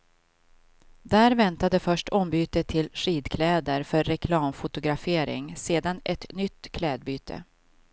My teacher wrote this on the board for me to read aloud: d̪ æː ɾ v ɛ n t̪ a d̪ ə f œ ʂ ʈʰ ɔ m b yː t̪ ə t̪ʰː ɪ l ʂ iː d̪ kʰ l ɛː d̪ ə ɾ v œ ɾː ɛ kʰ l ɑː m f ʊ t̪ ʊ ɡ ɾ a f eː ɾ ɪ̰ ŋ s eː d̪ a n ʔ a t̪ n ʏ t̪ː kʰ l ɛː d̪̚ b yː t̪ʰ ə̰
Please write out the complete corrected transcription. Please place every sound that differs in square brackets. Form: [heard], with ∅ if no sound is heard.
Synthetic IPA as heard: d̪ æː ɾ v ɛ n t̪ a d̪ ə f œ ʂ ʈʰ ɔ m b yː t̪ ə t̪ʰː ɪ l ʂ iː d̪ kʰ l ɛː d̪ ə ɾ [f] œ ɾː ɛ kʰ l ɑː m f ʊ t̪ ʊ ɡ ɾ a f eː ɾ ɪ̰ ŋ s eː d̪ a n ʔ [ɛ] t̪ n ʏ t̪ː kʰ l ɛː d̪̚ b yː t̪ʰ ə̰